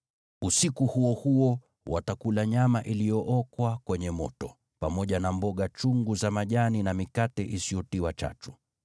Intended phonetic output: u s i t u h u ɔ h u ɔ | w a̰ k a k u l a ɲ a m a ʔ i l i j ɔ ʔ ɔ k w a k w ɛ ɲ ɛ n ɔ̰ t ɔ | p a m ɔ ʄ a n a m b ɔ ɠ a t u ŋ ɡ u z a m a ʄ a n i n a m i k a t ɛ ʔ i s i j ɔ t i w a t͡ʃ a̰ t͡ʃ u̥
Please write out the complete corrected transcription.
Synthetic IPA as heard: u s i k u h u ɔ h u ɔ | w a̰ t a k u l a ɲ a m a ʔ i l i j ɔ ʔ ɔ k w a k w ɛ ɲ ɛ m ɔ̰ t ɔ | p a m ɔ ʄ a n a m b ɔ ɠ a t͡ʃ u ŋ ɡ u z a m a ʄ a n i n a m i k a t ɛ ʔ i s i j ɔ t i w a t͡ʃ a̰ t͡ʃ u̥